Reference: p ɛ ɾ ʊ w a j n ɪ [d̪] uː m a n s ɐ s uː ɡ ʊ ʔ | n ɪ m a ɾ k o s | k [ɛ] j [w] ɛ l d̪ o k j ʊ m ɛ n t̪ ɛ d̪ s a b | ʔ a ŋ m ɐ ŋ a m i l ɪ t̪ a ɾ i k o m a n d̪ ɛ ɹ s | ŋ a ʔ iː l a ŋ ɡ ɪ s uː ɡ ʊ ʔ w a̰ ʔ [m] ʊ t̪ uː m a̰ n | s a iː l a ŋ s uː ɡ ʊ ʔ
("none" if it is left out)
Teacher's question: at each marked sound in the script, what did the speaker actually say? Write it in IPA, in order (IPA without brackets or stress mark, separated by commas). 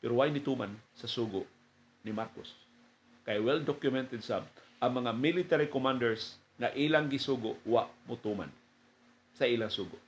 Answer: t̪, a, w, m